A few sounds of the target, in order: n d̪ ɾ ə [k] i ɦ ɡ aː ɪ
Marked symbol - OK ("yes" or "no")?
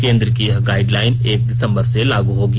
yes